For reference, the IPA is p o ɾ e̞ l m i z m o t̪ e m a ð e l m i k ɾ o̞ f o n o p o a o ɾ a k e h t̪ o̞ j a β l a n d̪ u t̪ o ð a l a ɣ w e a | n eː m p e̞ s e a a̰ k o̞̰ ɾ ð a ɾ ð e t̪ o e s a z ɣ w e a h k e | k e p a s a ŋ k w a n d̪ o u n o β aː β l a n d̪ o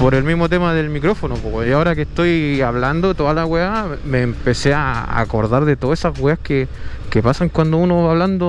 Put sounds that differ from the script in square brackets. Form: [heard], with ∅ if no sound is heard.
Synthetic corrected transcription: p o ɾ e̞ l m i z m o t̪ e m a ð e l m i k ɾ o̞ f o n o p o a o ɾ a k e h t̪ o̞ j a β l a n d̪ [o] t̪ o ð a l a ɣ w e a | [m] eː m p e̞ s e a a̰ k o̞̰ ɾ ð a ɾ ð e t̪ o e s a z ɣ w e a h k e | k e p a s a ŋ k w a n d̪ o u n o β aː β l a n d̪ o